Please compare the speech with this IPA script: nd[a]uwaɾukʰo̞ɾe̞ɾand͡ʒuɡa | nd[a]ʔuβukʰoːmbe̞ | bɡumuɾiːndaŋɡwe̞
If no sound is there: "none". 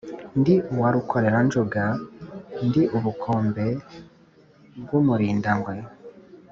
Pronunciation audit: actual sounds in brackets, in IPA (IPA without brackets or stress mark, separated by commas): i, i